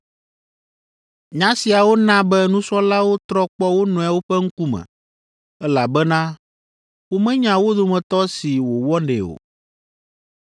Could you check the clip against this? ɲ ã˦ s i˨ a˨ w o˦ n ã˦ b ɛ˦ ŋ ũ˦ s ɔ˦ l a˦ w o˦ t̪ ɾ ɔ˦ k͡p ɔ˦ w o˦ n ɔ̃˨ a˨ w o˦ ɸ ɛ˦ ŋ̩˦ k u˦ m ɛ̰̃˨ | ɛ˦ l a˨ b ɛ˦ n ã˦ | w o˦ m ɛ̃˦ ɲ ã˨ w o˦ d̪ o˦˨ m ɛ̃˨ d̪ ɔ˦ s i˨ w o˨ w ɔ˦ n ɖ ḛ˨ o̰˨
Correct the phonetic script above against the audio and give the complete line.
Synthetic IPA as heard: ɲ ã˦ s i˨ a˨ w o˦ n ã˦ b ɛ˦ n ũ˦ s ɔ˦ l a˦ w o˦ t̪ ɾ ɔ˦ k͡p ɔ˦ w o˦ n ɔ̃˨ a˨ w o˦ ɸ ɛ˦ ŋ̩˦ k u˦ m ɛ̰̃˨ | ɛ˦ l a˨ b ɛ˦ n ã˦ | w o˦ m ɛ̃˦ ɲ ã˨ w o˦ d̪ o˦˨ m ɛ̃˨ t̪ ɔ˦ s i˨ w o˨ w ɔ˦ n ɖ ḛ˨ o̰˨